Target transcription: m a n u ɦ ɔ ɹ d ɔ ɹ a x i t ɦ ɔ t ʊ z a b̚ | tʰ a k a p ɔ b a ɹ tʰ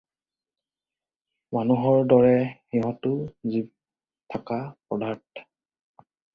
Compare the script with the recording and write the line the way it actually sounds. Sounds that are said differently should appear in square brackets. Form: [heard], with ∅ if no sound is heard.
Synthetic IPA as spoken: m a n u ɦ ɔ ɹ d ɔ ɹ [ɛ] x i [∅] ɦ ɔ t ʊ z [i] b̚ | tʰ a k a p ɔ [d] a ɹ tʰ